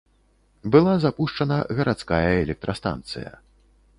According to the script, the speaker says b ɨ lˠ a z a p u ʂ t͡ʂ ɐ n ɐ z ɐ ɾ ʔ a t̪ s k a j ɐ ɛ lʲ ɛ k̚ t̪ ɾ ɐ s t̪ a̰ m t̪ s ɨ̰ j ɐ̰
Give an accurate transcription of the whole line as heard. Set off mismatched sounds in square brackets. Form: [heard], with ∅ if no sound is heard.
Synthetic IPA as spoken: b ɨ lˠ a z a p u ʂ t͡ʂ ɐ n ɐ [ɣ] ɐ ɾ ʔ a t̪ s k a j ɐ ɛ lʲ ɛ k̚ t̪ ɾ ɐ s t̪ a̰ [n] t̪ s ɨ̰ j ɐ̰